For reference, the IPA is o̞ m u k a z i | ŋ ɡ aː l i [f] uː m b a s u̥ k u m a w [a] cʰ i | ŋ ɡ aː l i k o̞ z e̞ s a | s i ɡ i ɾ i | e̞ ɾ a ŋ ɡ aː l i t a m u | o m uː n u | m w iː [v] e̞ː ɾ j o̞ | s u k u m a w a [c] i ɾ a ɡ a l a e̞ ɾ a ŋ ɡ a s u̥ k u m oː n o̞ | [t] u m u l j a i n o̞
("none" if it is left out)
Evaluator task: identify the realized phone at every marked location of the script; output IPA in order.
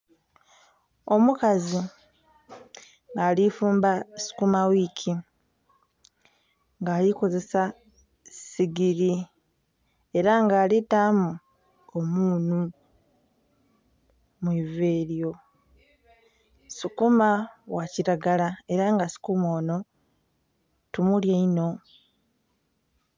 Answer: f, i, v, c, t

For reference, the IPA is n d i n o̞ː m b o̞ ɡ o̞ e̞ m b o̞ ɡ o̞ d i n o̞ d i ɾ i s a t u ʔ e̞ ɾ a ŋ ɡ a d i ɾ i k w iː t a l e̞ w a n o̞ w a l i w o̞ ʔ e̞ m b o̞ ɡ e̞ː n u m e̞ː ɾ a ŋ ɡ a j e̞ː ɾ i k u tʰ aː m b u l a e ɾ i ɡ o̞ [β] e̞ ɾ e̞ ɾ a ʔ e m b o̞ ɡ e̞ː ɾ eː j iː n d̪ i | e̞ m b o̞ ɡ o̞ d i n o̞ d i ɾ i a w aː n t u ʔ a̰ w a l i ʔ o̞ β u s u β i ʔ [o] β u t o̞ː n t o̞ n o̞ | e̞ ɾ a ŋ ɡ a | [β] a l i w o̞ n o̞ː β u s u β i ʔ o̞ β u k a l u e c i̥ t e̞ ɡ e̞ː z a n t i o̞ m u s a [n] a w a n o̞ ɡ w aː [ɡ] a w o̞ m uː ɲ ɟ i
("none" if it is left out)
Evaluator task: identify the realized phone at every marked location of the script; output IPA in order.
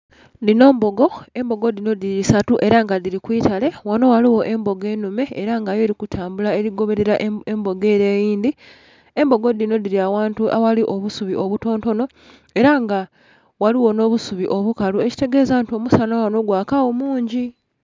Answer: β, o, w, n, k

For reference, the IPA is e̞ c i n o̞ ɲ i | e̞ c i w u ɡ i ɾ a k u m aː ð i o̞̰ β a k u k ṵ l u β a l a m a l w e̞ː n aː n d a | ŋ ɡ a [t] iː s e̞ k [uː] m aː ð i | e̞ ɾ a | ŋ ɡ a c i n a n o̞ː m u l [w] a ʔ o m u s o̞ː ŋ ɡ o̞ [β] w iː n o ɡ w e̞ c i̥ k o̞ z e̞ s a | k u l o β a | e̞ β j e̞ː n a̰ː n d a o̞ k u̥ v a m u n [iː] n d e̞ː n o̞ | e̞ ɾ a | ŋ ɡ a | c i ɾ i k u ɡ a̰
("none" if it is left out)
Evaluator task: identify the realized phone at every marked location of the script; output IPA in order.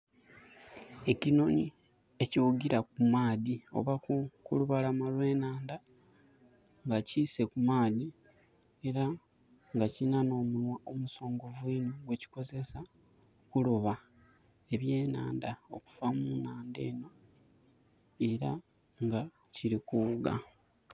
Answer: c, u, w, v, aː

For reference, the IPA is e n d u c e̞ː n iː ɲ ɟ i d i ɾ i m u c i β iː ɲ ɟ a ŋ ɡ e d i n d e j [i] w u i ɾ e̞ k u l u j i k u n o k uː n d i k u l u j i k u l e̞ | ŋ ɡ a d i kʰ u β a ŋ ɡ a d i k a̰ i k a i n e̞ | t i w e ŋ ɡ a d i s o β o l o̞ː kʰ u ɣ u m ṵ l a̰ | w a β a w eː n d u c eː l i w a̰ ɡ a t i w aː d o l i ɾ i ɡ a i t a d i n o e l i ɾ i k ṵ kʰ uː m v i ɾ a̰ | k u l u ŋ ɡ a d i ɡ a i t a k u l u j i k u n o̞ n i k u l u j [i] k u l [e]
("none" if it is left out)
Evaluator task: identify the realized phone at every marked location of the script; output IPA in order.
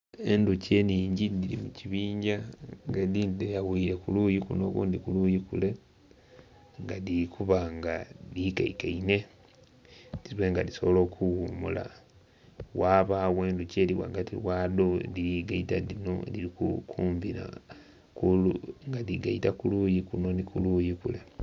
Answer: a, i, e

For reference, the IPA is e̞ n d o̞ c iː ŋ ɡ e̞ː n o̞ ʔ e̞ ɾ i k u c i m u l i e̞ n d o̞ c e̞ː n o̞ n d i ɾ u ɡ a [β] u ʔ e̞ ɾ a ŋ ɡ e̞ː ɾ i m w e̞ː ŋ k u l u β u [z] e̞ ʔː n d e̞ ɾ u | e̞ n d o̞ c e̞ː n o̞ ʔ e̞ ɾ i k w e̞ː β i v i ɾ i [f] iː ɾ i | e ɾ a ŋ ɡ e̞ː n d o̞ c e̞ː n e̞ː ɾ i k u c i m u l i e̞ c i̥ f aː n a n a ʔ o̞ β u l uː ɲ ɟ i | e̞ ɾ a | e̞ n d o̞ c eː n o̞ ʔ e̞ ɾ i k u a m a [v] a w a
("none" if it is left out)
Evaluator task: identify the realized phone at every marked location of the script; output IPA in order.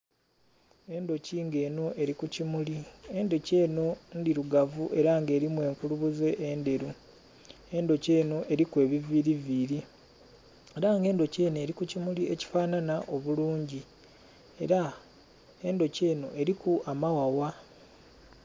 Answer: v, z, v, w

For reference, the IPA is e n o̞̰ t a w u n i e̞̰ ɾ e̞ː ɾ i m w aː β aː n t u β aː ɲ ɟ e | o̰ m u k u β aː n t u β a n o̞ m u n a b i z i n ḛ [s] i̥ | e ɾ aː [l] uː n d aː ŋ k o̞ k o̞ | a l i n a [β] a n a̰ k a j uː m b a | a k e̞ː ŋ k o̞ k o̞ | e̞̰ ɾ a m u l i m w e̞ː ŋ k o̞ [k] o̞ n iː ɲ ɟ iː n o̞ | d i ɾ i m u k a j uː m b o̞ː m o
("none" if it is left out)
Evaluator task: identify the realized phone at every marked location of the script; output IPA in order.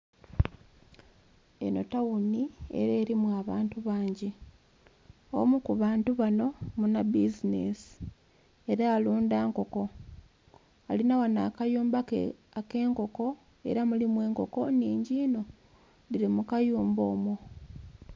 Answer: s, l, w, k

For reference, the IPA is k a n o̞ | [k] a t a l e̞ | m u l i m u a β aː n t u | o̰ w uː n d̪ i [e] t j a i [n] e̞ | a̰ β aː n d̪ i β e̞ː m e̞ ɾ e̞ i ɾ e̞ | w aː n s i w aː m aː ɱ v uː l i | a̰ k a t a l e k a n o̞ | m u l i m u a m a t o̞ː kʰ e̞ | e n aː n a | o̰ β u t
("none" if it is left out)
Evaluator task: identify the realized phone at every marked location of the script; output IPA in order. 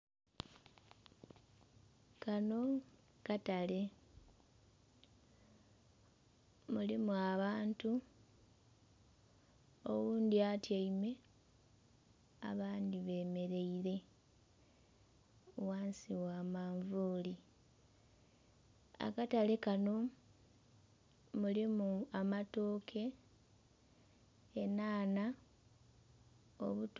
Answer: k, a, m

